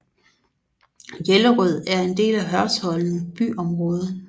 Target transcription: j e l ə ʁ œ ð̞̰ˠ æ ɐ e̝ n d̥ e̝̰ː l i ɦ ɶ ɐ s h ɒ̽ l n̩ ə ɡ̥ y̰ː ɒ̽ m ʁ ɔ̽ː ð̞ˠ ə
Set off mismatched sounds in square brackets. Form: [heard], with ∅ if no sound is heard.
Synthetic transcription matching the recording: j e l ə ʁ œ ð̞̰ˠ æ ɐ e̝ n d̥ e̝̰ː l [æ] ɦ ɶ ɐ s h ɒ̽ l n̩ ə [b̥] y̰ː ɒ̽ m ʁ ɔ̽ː ð̞ˠ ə